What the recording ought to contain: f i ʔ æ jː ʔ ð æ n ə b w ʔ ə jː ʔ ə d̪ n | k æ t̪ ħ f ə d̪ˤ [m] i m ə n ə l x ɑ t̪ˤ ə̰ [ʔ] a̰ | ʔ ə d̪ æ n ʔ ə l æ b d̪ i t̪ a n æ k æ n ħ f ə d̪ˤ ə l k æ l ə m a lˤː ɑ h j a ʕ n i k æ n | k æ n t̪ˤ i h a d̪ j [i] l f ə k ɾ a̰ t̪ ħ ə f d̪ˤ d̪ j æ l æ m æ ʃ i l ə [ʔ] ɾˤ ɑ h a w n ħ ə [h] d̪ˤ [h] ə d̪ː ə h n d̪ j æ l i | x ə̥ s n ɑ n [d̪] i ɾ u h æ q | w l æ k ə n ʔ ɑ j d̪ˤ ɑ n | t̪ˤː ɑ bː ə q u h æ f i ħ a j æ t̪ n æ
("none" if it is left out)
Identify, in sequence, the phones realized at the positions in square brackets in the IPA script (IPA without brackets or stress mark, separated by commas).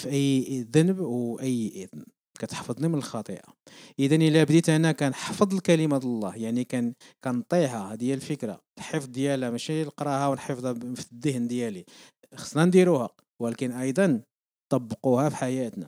n, ʔ, æ, q, f, f, d̪